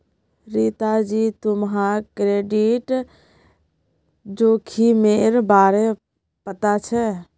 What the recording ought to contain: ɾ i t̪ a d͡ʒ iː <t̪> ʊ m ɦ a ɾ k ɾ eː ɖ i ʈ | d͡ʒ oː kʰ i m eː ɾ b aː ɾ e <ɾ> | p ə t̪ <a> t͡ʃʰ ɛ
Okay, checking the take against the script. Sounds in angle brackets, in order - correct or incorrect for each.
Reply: correct, incorrect: none, correct

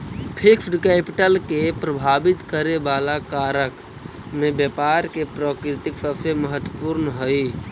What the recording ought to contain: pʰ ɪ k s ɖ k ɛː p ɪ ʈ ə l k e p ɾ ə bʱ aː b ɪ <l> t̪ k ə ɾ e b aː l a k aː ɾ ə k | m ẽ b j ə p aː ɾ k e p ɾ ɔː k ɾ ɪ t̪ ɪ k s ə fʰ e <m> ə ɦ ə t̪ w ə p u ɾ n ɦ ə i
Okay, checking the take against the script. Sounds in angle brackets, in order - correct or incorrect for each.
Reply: incorrect: none, correct

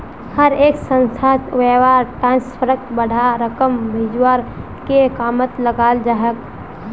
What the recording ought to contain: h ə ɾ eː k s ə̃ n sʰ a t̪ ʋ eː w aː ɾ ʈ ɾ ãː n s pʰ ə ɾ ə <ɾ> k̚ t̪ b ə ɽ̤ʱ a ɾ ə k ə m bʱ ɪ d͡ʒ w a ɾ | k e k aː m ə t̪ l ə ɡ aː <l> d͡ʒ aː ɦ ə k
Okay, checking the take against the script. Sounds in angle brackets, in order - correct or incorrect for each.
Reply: incorrect: none, correct

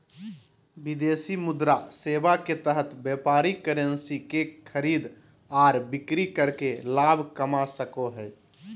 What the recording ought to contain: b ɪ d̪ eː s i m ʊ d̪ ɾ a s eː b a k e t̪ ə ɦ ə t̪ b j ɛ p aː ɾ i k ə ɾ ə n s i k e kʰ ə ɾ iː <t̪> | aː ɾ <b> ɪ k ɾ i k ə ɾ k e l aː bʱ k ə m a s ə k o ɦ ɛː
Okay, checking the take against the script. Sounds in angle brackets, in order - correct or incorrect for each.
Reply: incorrect: d̪, correct

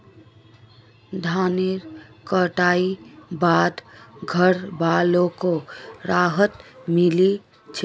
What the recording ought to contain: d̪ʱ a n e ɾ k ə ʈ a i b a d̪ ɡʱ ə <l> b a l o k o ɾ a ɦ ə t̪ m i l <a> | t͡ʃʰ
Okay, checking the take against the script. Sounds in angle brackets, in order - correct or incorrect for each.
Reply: incorrect: ɾ, incorrect: i

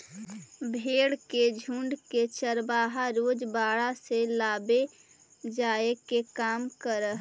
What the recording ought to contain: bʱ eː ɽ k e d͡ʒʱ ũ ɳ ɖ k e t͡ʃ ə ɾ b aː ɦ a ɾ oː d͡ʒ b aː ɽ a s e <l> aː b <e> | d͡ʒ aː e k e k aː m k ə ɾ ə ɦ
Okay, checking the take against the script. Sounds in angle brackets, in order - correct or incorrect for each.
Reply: correct, correct

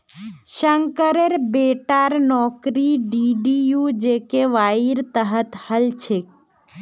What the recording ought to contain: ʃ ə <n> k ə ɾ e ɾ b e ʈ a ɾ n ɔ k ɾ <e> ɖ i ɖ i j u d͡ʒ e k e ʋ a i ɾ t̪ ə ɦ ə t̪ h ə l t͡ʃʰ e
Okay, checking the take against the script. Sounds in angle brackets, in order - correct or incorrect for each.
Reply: incorrect: ŋ, incorrect: i

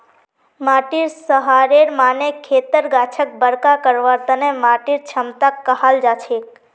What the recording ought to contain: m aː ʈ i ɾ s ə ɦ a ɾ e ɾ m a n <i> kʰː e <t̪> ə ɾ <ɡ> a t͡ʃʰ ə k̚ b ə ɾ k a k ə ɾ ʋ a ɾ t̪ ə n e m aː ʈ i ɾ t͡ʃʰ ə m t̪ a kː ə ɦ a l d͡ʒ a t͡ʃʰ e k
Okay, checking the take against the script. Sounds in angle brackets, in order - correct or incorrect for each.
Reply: incorrect: e, correct, correct

